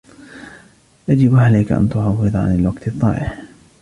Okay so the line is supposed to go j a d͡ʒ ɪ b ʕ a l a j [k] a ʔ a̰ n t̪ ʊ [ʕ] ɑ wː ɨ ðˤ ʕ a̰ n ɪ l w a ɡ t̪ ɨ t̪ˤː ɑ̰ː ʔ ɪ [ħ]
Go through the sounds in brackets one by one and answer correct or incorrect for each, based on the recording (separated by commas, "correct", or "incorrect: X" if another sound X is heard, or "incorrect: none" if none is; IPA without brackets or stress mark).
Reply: correct, correct, correct